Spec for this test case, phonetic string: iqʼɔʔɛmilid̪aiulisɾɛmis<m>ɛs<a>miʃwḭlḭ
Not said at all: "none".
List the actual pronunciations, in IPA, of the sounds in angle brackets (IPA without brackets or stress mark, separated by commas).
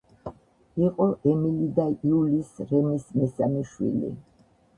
m, a